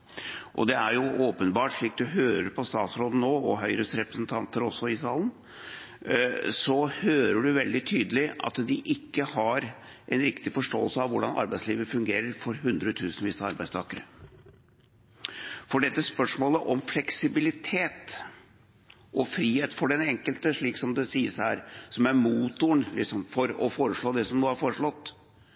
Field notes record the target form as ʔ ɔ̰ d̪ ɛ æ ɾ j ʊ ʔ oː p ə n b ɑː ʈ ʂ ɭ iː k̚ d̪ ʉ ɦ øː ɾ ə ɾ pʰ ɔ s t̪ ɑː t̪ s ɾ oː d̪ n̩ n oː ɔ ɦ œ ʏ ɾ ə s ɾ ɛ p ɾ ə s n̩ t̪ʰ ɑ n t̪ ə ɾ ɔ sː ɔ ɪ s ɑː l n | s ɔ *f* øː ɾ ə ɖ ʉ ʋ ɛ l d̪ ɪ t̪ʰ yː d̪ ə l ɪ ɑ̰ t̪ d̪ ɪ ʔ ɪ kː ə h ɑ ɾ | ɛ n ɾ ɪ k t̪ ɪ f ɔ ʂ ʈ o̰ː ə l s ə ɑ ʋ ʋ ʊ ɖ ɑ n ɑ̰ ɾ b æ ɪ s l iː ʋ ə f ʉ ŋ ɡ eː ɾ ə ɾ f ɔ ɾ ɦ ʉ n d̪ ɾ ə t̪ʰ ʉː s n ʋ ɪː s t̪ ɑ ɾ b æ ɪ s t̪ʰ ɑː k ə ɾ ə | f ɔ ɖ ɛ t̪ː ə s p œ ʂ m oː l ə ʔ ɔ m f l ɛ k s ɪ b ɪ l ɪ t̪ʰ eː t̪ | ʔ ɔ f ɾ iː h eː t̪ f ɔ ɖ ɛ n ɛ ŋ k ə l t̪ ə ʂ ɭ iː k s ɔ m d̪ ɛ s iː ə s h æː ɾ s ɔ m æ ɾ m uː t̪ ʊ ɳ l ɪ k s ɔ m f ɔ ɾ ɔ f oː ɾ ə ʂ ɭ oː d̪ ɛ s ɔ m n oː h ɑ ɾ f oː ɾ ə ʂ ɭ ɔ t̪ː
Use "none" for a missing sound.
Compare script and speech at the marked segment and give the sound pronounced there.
h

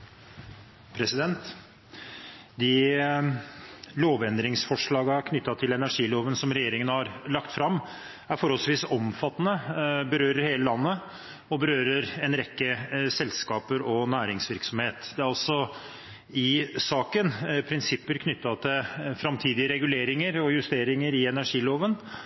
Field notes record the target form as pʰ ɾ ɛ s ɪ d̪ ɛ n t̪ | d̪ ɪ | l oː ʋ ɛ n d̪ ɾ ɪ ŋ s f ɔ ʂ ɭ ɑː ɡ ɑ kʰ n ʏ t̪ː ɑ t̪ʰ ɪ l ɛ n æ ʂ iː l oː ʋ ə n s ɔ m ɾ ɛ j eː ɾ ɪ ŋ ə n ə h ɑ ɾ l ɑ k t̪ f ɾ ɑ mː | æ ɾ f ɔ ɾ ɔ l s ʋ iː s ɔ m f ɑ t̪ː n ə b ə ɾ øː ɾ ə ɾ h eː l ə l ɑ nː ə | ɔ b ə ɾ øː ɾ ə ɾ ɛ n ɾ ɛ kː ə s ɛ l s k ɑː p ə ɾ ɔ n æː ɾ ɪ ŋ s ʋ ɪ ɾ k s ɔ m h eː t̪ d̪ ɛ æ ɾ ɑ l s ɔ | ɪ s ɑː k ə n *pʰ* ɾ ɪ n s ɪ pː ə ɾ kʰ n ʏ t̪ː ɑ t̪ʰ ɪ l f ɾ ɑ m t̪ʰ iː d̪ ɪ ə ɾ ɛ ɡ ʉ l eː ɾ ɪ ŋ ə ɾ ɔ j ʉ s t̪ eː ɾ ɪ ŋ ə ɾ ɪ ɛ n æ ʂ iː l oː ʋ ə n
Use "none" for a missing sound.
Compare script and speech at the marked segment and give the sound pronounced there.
pʰ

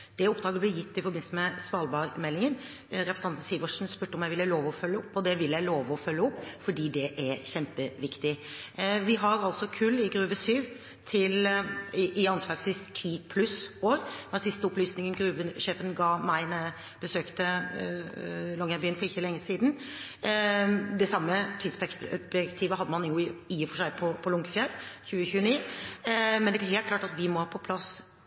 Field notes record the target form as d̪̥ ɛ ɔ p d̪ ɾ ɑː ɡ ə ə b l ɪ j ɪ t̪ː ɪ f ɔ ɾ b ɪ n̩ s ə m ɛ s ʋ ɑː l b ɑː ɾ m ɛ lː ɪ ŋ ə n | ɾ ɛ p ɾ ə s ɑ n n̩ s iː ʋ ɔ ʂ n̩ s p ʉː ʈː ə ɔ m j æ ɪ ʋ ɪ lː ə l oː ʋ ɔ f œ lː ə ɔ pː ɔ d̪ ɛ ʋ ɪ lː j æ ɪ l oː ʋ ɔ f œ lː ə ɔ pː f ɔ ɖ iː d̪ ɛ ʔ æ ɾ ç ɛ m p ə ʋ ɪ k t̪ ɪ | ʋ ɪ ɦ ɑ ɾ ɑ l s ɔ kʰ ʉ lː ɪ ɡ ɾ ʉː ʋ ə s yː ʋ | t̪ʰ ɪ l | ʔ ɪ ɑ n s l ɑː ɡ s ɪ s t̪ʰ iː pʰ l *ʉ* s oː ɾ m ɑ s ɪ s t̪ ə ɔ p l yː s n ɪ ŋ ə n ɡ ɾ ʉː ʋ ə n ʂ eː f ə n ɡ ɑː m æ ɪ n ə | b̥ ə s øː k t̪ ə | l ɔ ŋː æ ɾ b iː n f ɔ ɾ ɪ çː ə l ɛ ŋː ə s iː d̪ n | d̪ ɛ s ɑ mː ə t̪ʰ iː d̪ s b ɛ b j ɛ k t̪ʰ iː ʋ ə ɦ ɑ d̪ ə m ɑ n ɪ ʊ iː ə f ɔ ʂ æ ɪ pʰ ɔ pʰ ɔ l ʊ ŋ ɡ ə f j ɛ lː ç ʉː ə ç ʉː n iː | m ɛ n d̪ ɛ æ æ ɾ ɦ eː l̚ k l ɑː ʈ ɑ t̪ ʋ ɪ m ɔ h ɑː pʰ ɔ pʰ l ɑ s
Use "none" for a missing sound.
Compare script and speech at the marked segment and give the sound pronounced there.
ʉ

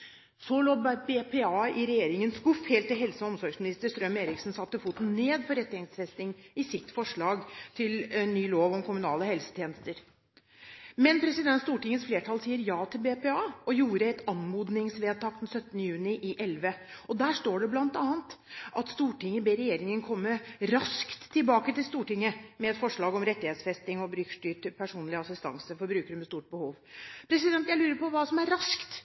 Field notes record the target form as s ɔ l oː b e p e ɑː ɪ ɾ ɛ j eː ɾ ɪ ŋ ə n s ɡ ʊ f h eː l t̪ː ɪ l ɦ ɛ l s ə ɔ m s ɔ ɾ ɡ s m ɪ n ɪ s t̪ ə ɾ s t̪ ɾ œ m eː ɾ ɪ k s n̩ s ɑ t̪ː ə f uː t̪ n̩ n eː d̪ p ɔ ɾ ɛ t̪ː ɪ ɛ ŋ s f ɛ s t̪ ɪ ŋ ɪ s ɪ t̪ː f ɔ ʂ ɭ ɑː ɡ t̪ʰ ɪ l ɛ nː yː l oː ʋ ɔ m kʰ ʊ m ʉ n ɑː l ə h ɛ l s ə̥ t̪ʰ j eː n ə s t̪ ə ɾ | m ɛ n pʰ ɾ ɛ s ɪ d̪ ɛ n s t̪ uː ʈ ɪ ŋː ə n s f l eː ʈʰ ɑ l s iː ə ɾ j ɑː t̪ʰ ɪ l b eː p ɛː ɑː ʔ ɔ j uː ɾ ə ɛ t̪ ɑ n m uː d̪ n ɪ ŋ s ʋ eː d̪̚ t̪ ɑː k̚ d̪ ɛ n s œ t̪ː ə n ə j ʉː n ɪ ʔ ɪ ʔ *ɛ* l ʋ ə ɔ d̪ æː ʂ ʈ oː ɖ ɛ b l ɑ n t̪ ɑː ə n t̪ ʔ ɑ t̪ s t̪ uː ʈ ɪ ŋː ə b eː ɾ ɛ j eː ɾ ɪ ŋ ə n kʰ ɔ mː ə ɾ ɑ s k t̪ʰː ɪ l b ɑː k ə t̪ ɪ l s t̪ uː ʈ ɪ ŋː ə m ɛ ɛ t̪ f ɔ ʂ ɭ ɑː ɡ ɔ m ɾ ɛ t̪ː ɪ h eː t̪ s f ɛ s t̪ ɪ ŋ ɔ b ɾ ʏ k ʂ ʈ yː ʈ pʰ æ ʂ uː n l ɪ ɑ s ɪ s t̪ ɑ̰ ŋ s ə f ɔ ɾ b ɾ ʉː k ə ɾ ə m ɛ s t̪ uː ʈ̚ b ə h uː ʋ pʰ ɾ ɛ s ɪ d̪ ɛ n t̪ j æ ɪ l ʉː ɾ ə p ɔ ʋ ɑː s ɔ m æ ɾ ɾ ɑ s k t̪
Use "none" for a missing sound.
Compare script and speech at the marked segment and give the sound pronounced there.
ɛ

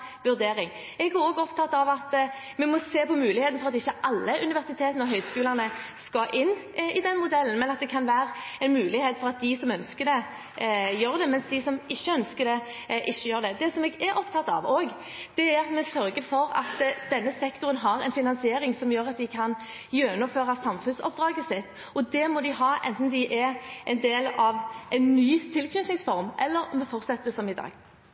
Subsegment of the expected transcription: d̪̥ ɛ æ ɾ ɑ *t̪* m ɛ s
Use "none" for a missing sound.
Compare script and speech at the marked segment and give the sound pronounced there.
t̪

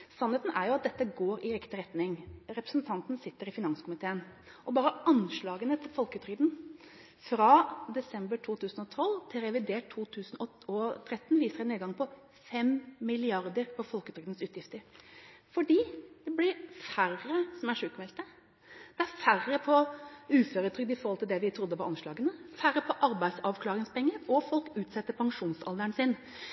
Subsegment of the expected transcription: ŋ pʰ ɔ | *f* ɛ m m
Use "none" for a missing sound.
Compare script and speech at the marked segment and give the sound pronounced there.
f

